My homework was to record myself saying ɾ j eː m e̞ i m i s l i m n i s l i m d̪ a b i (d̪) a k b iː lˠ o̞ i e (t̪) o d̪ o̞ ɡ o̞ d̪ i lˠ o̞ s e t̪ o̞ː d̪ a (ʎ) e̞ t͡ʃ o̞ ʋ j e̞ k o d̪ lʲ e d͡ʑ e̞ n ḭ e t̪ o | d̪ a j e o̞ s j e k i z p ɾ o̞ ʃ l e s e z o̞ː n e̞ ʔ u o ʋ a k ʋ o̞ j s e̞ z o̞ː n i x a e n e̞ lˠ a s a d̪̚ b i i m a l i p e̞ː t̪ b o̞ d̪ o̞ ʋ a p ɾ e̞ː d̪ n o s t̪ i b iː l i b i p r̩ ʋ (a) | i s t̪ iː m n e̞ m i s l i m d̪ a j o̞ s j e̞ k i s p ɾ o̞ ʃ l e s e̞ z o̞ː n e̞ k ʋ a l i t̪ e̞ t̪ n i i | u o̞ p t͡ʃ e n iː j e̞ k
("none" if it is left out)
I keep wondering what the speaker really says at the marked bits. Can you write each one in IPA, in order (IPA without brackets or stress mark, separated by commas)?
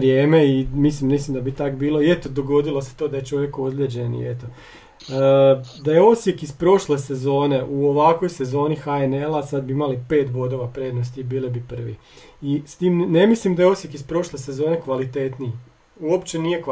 t̪, t̪, j, i